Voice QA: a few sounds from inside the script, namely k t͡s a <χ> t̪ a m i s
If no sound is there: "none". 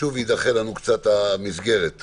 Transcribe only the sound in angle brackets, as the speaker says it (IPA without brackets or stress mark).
none